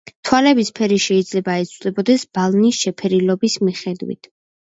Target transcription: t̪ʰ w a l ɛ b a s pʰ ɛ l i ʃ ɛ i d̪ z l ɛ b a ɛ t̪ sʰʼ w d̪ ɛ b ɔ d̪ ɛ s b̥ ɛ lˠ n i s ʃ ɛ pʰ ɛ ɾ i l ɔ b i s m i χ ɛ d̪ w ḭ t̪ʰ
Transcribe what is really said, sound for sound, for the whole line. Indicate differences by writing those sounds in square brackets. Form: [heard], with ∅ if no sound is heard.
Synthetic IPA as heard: t̪ʰ w a l ɛ b [i] s pʰ ɛ [ɾ] i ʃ ɛ i d̪ z l ɛ b a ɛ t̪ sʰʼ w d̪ ɛ b ɔ d̪ ɛ s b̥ [a] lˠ n i s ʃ ɛ pʰ ɛ ɾ i l ɔ b i s m i χ ɛ d̪ w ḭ t̪ʰ